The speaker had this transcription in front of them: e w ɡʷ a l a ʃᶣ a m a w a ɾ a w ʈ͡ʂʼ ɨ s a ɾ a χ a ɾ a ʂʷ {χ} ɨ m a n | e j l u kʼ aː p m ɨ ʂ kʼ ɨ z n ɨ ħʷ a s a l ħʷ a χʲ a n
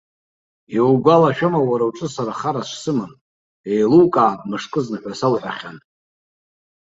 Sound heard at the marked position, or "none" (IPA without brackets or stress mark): s